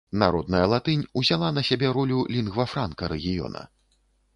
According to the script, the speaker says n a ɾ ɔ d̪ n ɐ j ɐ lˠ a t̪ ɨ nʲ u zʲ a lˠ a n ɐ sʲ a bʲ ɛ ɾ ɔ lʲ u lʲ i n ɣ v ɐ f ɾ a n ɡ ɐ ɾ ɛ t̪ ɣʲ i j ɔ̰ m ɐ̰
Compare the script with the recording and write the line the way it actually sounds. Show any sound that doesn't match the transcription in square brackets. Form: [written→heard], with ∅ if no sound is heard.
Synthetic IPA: n a ɾ ɔ d̪ n ɐ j ɐ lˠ a t̪ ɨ nʲ u zʲ a lˠ a n ɐ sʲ a bʲ ɛ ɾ ɔ lʲ u lʲ i n ɣ v ɐ f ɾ a n [ɡ→k] ɐ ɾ ɛ [t̪→∅] ɣʲ i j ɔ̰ [m→n] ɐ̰